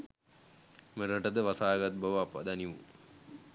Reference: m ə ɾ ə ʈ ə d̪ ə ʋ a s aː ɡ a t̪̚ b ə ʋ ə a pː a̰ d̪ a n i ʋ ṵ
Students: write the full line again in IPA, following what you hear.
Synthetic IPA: m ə ɾ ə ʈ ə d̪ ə ʋ a s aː ɡ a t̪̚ b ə ʋ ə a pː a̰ d̪ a n i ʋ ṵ